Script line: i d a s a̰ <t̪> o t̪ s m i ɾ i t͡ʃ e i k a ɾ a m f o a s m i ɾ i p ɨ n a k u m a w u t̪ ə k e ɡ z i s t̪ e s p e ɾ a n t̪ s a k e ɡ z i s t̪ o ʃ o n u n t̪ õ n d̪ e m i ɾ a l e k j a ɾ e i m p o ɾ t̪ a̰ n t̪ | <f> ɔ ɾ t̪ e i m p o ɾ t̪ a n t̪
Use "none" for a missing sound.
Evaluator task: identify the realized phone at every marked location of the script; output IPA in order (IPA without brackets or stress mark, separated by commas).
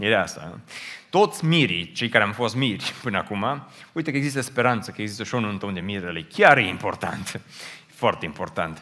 t̪, f